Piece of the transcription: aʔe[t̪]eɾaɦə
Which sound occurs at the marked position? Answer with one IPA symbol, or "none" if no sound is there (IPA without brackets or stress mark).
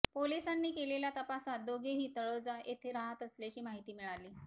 t̪ʰ